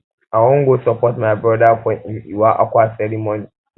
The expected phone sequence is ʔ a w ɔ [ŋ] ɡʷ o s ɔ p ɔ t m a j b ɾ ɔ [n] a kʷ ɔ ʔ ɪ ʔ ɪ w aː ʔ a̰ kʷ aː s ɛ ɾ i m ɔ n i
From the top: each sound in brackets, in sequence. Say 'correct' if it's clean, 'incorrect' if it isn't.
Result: correct, incorrect: d

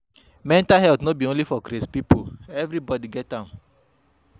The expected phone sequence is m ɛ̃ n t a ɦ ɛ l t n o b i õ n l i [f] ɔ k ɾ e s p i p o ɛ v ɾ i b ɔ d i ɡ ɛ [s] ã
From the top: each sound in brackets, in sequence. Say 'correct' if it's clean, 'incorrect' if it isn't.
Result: correct, incorrect: t

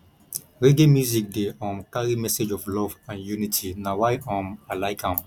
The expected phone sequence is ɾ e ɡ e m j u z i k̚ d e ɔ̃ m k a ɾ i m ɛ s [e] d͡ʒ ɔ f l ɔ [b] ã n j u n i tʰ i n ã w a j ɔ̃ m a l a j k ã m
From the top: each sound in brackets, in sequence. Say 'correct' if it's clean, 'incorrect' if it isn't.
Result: correct, incorrect: v

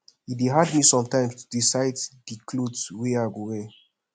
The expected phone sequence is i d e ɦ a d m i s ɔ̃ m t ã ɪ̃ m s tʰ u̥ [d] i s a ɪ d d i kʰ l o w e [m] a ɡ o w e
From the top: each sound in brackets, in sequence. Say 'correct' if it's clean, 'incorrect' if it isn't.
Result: correct, incorrect: none

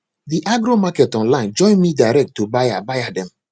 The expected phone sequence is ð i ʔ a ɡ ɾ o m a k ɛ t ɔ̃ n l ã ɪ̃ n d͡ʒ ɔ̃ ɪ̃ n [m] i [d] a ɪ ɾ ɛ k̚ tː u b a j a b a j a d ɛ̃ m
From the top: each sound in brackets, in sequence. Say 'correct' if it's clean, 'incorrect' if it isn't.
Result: correct, correct

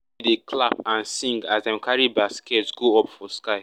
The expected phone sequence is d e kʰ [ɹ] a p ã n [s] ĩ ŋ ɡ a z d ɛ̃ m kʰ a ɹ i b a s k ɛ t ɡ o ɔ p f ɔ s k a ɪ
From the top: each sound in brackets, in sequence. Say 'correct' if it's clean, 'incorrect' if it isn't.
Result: incorrect: l, correct

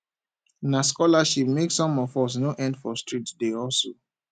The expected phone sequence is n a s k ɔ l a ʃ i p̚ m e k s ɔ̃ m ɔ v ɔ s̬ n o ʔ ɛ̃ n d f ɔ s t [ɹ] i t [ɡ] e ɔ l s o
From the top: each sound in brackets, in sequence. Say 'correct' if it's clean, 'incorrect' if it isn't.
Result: correct, incorrect: d

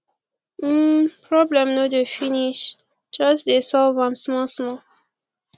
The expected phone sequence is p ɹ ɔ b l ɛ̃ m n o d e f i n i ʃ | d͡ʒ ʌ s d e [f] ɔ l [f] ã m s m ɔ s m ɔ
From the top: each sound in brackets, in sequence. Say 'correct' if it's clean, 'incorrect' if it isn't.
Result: incorrect: s, incorrect: v

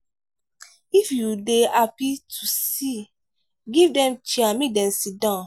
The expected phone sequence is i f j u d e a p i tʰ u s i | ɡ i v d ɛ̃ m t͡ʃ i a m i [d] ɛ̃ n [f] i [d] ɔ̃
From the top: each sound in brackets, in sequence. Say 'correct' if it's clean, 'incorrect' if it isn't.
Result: correct, incorrect: s, correct

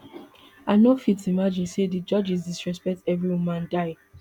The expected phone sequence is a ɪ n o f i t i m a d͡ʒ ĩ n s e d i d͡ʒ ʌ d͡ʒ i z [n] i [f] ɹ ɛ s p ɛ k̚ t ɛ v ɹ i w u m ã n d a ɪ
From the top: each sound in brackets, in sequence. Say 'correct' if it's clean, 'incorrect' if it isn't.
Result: incorrect: d, incorrect: s

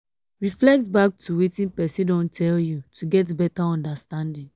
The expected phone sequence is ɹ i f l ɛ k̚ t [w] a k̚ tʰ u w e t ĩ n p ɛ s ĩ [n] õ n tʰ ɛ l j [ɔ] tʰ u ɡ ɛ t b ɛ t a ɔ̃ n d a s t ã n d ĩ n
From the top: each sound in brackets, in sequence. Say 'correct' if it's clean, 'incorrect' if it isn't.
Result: incorrect: b, incorrect: d, incorrect: u

